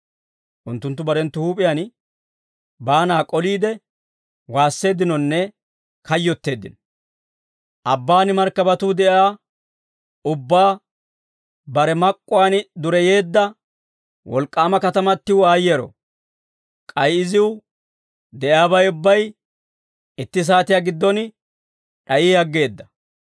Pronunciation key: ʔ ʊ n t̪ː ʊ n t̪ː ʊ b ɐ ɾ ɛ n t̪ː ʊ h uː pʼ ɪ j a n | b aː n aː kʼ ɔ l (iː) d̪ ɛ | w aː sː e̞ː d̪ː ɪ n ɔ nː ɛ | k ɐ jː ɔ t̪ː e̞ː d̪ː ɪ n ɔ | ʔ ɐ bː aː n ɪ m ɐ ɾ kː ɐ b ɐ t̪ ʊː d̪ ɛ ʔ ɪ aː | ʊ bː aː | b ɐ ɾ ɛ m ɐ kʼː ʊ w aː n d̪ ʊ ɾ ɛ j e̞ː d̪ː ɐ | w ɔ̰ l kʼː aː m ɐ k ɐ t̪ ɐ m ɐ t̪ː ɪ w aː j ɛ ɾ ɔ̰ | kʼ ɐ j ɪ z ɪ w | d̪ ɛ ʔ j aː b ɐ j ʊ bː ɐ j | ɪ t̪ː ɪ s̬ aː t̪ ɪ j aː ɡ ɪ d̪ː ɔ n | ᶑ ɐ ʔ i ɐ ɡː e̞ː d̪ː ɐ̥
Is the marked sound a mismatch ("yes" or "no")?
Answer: no